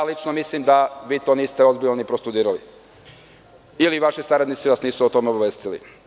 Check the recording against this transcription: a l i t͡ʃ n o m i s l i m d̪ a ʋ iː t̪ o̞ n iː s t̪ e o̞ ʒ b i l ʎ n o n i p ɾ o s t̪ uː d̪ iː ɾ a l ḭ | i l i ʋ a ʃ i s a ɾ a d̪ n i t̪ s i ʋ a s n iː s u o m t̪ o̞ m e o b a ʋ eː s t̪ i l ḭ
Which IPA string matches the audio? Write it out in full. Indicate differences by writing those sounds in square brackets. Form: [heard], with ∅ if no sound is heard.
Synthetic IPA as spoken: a l i t͡ʃ n o m i s l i m d̪ a ʋ iː t̪ o̞ n iː s t̪ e o̞ [z] b i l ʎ n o n i p ɾ o s t̪ [u] d̪ iː ɾ a l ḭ | i l i ʋ a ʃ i s a ɾ a d̪ n i t̪ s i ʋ a s n iː s u o [∅] t̪ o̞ m e o b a ʋ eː s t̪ i l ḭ